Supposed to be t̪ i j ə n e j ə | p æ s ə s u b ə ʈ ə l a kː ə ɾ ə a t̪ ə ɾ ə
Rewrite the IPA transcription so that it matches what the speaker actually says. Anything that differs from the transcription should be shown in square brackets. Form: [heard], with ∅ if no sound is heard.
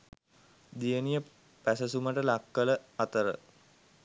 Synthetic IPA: [d̪] i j ə n [i] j ə | p æ s ə s u [m] ə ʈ ə l a kː ə [l] ə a t̪ ə ɾ ə

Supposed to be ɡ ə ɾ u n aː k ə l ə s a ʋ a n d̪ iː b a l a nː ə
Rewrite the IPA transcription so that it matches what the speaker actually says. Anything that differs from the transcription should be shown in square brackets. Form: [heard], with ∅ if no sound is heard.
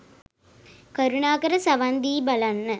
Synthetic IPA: [k] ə ɾ u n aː k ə [ɾ] ə s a ʋ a n d̪ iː b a l a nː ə

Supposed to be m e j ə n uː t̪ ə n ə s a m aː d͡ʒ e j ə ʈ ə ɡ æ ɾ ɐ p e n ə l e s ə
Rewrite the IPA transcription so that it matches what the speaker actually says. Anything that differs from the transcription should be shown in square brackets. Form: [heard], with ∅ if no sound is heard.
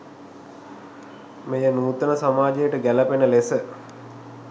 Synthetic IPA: m e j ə n uː t̪ ə n ə s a m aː d͡ʒ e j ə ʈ ə ɡ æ [l] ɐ p e n ə l e s ə

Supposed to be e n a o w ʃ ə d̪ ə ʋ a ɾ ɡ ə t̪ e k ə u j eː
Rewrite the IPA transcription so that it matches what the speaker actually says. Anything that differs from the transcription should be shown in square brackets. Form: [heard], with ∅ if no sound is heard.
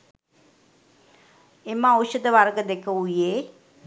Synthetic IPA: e [m] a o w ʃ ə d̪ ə ʋ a ɾ ɡ ə [d̪] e k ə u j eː

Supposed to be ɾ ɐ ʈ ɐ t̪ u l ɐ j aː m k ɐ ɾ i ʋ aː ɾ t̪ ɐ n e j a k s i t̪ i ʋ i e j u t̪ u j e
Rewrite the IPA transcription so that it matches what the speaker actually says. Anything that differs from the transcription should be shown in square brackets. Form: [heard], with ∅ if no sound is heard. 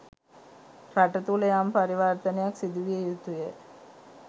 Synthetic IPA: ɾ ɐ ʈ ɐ t̪ u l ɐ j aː m [p] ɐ ɾ i ʋ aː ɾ t̪ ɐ n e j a k s i [d̪] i ʋ i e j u t̪ u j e

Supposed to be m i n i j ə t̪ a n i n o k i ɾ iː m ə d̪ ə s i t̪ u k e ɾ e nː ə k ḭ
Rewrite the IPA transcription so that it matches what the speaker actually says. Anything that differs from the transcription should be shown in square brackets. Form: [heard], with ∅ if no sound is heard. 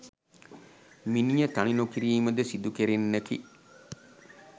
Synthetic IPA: m i n i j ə t̪ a n i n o k i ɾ iː m ə d̪ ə s i [d̪] u k e ɾ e nː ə k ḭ

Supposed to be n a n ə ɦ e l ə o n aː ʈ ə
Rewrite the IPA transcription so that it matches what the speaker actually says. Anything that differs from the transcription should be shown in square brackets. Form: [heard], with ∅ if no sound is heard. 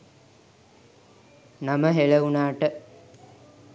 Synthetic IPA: n a [m] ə ɦ e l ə [u] n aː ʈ ə

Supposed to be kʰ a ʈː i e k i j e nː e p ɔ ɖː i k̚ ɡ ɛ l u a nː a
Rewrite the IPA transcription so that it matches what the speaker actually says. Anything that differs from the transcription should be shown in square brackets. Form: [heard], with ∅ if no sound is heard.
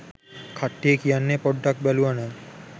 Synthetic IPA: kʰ a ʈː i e k i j [a] nː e p ɔ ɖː [a] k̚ [b] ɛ l u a [n] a

